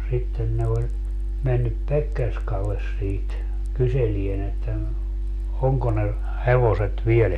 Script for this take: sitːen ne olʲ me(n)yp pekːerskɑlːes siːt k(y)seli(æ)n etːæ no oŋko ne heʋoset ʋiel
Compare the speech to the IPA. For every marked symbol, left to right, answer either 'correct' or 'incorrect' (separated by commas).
incorrect, correct, incorrect